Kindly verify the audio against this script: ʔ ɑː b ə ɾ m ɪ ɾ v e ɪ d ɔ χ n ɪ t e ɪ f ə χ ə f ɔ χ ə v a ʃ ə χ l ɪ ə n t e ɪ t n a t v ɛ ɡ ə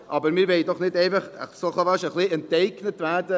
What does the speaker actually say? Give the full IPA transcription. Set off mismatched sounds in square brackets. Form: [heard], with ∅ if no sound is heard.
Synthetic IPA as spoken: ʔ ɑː b ə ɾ m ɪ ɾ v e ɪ d ɔ χ n ɪ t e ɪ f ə χ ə [s] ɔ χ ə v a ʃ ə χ l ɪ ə n t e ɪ [k] n [ə] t v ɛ [d] ə